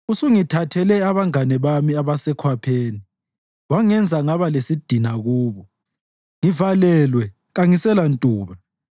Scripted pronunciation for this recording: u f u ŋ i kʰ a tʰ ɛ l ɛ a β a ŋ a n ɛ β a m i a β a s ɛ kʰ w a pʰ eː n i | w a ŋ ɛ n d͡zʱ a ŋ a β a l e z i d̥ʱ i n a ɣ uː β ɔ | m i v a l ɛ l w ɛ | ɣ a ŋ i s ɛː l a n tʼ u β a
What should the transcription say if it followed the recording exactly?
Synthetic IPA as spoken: u s u ŋ i tʰ a tʰ ɛ l ɛ a β a ŋ a n ɛ β a m i a β a s ɛ kʰ w a pʰ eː n i | w a ŋ ɛ n d͡zʱ a ŋ a β a l e s i d̥ʱ i n a ɣ uː β ɔ | ŋ i v a l ɛ l w ɛ | ɣ a ŋ i s ɛ l a n tʼ uː β a